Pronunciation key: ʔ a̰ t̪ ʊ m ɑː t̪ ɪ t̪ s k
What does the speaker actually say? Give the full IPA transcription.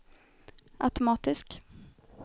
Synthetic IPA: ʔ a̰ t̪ ʊ m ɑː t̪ ɪ s k